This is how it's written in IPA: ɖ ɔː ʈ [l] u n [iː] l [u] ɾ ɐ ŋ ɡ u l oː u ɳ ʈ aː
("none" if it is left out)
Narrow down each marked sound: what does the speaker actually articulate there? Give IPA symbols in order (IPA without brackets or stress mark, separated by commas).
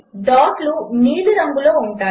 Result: l, iː, u